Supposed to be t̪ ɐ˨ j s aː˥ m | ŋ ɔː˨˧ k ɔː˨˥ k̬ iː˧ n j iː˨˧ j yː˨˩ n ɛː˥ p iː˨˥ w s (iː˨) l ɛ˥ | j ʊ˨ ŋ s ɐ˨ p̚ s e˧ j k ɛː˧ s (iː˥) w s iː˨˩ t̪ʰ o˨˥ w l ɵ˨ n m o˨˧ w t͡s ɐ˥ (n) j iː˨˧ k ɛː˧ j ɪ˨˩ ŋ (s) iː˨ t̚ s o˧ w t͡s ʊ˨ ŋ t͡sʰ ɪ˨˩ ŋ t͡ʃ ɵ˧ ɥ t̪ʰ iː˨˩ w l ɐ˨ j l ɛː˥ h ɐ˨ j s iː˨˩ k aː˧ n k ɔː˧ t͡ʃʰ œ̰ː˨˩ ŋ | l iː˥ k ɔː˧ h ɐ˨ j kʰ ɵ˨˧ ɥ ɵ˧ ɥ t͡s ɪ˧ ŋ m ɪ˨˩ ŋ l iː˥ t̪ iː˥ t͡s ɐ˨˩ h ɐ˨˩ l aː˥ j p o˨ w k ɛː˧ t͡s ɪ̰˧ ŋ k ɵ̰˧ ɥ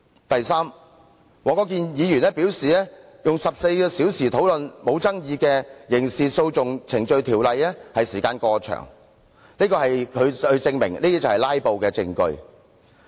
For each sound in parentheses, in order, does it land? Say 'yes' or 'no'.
yes, no, no, yes

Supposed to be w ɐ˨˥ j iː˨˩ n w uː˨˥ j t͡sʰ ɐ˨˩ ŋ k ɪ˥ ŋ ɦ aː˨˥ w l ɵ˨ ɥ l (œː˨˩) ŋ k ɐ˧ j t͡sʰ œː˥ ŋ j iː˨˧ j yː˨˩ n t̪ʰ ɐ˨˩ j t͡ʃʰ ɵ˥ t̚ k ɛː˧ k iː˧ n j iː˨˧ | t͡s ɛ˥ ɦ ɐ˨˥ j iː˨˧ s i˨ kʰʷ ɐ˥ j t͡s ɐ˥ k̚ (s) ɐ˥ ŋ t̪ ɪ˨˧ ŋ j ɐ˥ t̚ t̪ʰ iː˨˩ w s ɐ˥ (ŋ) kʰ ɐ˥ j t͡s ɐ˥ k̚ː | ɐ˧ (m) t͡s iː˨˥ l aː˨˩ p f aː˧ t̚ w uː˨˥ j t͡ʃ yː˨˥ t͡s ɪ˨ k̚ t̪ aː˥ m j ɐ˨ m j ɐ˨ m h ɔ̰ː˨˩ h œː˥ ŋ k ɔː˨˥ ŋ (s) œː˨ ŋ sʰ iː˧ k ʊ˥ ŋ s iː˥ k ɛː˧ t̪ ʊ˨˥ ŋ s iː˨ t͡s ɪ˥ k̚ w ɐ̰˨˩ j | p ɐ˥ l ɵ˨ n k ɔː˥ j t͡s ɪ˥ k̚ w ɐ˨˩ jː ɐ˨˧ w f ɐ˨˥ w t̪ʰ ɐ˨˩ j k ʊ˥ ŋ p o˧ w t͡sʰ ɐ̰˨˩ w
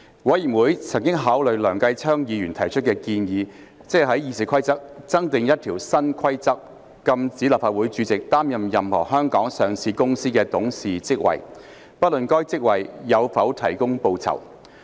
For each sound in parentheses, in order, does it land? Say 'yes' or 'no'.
yes, no, no, yes, yes

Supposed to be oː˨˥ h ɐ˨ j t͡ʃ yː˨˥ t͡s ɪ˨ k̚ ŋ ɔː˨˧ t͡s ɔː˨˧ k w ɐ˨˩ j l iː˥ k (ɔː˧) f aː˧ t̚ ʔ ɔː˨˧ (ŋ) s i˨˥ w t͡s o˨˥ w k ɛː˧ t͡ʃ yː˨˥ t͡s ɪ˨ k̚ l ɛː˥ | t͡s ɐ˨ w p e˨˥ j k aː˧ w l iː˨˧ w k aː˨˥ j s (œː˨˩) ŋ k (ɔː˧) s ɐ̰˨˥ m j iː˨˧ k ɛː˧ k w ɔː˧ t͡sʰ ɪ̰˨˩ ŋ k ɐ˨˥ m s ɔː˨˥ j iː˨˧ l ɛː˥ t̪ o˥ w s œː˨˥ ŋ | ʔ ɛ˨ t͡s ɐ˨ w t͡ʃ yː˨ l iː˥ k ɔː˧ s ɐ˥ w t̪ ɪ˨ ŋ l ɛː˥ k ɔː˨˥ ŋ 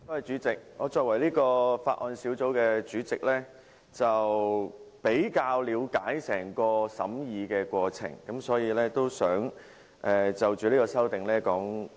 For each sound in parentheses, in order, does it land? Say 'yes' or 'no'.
yes, no, no, yes

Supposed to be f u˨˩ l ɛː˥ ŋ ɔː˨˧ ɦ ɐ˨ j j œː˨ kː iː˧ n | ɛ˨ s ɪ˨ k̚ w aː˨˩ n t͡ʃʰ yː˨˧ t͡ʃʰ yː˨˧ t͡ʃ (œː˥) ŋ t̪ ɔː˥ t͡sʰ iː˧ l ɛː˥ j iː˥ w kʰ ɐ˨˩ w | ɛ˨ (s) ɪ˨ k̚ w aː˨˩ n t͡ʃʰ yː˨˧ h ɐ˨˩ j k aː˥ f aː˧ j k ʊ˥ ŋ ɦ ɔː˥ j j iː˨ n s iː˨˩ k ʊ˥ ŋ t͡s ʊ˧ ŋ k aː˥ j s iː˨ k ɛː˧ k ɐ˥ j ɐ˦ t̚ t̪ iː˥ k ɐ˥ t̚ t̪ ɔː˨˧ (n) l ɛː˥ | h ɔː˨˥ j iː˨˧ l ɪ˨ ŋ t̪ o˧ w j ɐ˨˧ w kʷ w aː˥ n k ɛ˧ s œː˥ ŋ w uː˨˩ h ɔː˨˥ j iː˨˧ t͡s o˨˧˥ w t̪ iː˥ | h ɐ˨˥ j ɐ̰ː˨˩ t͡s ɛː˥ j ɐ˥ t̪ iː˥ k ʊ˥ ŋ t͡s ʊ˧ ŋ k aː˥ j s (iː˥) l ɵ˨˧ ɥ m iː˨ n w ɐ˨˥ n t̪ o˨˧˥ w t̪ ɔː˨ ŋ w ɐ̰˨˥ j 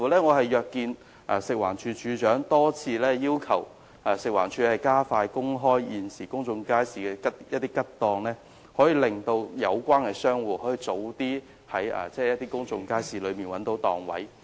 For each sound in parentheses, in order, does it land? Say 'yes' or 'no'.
no, yes, no, no

